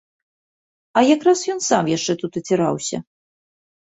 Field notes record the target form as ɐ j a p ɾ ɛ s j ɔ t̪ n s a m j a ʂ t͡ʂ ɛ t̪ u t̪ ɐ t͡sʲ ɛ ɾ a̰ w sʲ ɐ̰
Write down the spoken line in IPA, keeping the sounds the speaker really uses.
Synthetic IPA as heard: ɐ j a k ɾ a s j ɔ n s a m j a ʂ t͡ʂ ɛ t̪ u t̪ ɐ t͡sʲ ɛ ɾ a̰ w sʲ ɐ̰